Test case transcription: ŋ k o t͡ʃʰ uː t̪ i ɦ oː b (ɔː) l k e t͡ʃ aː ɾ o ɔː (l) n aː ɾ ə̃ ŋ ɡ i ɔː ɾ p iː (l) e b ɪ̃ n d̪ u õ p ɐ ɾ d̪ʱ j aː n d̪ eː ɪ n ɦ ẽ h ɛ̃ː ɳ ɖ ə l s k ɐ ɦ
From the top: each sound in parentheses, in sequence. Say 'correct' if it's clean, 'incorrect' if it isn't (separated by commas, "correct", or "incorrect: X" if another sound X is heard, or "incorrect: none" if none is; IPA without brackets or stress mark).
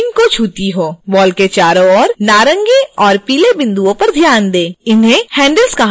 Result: correct, incorrect: ɾ, correct